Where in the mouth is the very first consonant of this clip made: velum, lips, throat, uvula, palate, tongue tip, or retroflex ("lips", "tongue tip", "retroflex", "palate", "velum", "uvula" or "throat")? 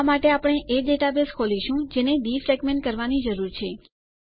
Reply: lips